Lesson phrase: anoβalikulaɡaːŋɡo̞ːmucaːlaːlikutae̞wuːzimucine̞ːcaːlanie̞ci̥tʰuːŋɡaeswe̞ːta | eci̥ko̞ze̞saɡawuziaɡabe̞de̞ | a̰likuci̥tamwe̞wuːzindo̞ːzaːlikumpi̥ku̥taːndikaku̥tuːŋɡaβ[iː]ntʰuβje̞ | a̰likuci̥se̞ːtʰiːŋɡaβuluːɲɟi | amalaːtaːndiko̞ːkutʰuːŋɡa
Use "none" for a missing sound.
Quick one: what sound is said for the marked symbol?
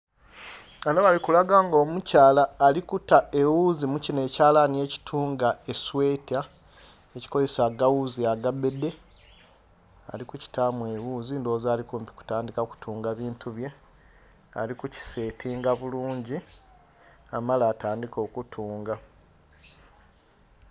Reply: iː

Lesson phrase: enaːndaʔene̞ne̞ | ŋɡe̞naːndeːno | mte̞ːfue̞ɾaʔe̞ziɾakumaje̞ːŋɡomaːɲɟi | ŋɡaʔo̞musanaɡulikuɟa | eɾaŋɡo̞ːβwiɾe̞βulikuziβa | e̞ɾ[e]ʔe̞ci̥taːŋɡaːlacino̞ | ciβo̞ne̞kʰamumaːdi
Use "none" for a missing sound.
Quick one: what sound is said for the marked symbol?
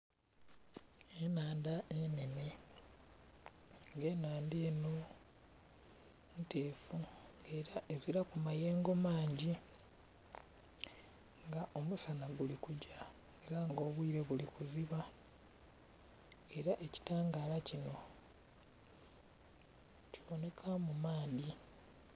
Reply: a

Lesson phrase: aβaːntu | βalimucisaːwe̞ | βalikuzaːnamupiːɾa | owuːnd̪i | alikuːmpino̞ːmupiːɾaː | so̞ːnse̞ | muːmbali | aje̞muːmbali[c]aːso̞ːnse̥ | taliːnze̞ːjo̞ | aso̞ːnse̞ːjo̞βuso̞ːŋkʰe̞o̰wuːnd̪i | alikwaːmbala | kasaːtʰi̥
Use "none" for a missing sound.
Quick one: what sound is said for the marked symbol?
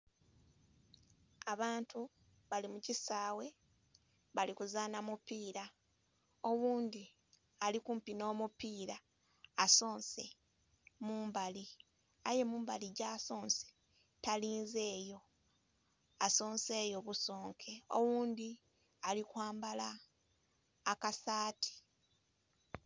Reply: ɟ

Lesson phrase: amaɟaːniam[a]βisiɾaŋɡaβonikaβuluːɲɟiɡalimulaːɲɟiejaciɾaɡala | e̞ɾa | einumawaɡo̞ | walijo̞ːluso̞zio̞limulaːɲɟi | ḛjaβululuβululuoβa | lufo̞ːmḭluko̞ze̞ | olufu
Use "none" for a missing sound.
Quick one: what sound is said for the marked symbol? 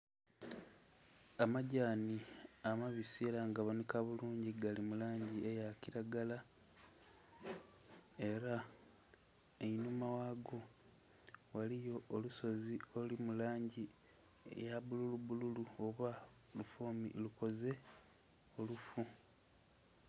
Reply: a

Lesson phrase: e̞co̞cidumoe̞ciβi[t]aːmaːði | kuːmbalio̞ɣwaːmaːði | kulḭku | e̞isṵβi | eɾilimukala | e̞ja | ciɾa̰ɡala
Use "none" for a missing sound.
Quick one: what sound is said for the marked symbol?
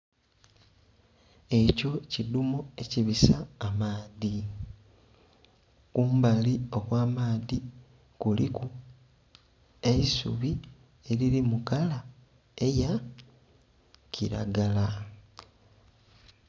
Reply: s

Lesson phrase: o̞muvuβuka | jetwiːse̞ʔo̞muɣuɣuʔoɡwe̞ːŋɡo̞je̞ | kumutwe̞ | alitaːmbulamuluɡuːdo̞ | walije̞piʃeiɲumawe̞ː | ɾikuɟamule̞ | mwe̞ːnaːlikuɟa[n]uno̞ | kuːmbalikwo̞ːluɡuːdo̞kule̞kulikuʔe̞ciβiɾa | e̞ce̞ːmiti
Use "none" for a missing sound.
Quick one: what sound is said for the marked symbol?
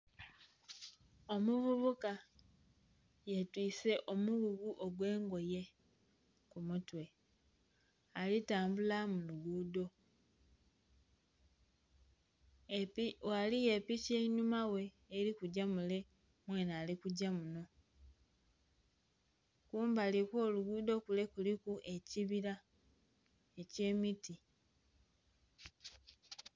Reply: m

